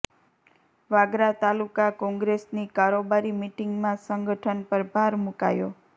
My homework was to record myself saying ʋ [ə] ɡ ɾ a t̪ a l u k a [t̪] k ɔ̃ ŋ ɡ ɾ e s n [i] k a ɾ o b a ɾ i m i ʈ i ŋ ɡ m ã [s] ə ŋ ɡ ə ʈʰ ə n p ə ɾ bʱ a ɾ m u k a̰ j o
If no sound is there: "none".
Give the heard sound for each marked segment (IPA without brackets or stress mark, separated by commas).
a, none, i, s